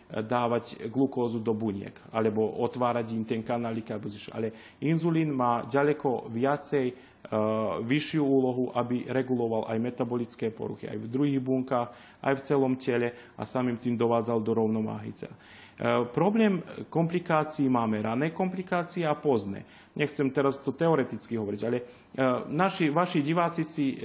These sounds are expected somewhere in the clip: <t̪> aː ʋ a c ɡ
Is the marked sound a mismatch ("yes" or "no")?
yes